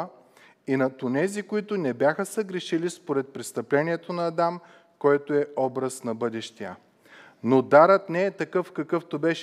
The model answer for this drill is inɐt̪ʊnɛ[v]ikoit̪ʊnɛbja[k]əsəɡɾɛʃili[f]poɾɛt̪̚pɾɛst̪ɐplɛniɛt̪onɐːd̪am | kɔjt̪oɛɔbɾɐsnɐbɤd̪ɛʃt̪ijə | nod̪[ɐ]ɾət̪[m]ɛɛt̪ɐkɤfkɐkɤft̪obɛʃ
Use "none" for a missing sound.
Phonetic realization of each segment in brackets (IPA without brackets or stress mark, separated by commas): z, x, s, a, n